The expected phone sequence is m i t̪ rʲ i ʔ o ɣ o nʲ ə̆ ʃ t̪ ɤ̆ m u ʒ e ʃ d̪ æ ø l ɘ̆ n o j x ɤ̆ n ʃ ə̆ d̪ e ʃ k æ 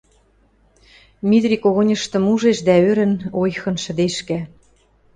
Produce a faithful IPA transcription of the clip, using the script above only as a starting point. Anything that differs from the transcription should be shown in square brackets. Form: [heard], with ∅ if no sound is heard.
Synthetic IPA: m i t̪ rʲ i [k] o ɣ o nʲ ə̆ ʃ t̪ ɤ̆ m u ʒ e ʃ d̪ æ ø [ɾ] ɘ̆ n o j x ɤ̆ n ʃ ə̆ d̪ e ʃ k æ